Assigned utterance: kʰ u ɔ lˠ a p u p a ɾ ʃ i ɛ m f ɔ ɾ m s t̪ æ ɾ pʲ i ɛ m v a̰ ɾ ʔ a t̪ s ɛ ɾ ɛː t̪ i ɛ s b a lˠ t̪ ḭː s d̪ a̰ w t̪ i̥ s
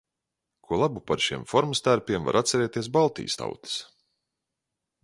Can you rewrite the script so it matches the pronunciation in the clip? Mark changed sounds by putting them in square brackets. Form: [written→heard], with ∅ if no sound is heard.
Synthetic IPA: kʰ u ɔ lˠ a [p→b] u p a ɾ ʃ i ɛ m f ɔ ɾ m s t̪ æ ɾ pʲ i ɛ m v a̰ ɾ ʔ a t̪ s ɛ ɾ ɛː t̪ i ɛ s b a lˠ t̪ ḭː s [d̪→t̪] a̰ w t̪ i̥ s